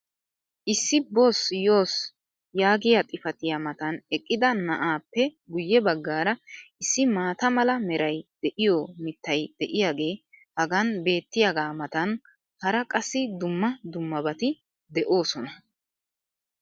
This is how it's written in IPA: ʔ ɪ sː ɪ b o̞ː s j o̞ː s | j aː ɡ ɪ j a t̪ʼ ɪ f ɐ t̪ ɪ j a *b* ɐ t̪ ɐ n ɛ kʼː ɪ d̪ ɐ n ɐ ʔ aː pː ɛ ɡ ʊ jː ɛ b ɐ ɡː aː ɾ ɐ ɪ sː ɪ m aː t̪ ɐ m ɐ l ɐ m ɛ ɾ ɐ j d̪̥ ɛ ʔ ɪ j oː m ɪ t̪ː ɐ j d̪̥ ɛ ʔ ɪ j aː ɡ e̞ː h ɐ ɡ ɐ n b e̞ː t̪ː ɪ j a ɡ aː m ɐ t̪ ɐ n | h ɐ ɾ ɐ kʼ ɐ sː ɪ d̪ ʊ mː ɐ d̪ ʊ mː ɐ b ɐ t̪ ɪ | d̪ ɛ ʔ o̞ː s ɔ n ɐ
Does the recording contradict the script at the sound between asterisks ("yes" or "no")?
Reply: yes